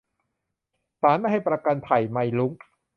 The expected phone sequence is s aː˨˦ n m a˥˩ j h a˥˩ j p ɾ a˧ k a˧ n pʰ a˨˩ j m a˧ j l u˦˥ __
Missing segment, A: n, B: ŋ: B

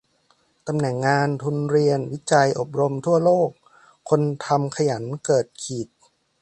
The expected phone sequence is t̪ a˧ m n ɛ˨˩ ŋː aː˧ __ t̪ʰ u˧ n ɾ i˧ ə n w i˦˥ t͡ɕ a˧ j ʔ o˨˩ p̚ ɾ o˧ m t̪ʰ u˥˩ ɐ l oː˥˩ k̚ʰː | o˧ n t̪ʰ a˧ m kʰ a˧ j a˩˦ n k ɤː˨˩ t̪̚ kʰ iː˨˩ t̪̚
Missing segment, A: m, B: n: B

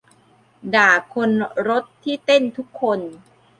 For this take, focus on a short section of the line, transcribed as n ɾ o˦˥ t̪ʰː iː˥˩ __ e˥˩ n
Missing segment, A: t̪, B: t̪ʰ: A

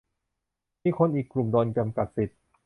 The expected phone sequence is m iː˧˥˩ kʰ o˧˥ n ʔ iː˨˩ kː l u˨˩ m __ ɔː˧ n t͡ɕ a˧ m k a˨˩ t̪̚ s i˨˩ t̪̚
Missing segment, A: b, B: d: B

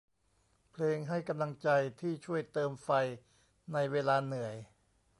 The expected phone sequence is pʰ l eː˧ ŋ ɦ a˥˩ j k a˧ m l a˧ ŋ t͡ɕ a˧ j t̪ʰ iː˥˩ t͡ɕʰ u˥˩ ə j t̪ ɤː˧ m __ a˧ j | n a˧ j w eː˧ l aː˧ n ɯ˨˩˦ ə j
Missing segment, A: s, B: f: B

